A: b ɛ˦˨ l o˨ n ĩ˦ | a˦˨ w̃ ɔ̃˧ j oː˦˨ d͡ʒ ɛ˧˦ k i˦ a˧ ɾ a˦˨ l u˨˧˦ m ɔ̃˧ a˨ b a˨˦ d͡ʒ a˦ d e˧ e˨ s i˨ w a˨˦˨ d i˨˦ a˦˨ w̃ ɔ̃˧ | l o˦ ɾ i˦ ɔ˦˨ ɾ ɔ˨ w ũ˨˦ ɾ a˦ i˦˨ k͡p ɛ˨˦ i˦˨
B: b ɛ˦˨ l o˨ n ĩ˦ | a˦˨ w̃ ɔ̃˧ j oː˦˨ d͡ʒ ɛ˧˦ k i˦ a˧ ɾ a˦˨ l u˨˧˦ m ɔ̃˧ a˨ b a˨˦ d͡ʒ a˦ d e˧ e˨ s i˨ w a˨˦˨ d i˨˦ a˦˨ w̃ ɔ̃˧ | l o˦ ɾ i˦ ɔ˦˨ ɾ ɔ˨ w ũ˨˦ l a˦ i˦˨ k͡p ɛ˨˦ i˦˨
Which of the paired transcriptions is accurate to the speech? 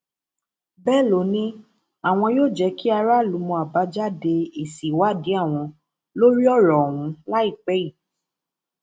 B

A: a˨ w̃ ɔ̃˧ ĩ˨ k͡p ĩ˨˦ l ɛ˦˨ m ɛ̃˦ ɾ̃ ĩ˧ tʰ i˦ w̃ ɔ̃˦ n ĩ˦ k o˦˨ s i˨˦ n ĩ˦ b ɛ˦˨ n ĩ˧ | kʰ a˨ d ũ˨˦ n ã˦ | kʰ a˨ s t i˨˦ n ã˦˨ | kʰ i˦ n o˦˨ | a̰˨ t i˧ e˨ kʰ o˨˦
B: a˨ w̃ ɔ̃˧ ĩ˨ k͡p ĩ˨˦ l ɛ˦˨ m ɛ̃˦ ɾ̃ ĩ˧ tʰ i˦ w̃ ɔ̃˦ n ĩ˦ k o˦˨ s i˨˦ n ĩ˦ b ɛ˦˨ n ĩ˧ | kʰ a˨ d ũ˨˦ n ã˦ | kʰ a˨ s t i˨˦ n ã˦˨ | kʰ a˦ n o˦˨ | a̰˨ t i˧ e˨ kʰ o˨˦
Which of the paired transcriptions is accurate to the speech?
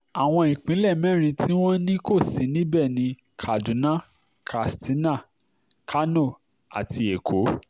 B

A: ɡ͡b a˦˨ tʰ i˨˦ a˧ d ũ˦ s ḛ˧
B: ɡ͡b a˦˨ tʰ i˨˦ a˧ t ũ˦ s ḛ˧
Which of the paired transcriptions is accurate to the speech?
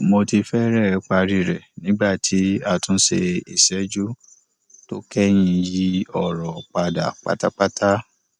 B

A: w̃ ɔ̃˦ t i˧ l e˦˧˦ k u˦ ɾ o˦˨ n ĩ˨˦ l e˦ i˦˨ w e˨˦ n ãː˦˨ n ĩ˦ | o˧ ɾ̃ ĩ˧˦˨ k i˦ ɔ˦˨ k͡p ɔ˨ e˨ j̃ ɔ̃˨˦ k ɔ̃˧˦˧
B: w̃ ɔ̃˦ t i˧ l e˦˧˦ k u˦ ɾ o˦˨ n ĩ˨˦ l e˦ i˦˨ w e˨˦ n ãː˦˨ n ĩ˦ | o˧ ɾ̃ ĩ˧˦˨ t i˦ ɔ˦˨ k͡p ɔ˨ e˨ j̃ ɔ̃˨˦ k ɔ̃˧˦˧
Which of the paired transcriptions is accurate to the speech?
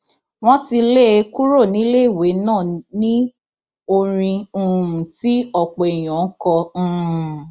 B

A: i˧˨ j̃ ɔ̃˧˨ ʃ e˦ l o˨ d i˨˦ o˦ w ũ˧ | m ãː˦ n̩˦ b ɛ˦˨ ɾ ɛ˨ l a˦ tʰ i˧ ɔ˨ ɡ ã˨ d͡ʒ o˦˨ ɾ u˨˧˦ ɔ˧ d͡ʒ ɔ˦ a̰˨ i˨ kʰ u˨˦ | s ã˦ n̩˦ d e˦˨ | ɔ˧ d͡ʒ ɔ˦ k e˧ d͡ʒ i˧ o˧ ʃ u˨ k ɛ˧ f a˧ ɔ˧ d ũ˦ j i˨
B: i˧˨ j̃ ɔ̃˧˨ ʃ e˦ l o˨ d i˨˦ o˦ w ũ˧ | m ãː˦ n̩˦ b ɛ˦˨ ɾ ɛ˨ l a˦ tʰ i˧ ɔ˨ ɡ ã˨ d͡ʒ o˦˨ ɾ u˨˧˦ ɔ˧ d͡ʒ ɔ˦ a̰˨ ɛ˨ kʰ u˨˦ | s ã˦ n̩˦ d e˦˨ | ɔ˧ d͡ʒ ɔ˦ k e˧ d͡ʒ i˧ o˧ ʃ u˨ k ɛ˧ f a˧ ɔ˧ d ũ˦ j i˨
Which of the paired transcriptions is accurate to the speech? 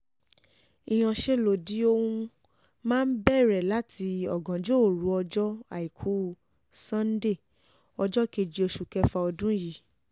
A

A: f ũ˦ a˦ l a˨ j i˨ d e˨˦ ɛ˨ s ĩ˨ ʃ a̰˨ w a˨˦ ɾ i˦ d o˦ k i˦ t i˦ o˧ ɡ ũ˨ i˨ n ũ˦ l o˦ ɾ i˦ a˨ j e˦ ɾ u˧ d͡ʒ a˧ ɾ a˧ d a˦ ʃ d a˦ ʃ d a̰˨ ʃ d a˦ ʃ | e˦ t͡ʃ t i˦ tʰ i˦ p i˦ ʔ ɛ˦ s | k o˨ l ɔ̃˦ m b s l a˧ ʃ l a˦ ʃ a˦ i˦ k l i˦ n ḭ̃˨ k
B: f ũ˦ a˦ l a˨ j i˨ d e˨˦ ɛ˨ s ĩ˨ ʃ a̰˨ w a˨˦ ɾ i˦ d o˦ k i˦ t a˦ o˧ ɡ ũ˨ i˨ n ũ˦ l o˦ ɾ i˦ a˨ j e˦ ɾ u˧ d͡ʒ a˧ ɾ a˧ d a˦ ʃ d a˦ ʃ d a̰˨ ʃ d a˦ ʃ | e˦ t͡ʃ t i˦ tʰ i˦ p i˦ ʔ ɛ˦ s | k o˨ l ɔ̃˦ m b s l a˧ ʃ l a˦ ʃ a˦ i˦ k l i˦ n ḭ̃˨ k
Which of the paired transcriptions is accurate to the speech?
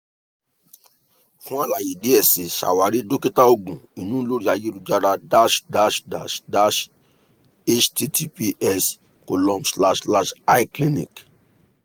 B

